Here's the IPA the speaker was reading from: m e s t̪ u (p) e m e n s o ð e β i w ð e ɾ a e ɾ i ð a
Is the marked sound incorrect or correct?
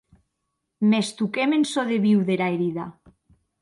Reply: incorrect